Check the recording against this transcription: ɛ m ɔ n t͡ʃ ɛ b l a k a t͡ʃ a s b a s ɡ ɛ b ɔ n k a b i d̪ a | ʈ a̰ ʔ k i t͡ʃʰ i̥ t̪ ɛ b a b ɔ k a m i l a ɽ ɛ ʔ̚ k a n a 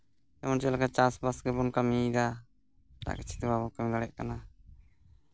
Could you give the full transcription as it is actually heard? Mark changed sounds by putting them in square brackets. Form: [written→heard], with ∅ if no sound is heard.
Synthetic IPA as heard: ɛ m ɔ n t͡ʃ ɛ [b→∅] l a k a t͡ʃ a s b a s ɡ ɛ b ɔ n k a [b→m] i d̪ a | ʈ a̰ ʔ k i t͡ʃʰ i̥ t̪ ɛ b a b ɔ k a m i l a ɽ ɛ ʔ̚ k a n a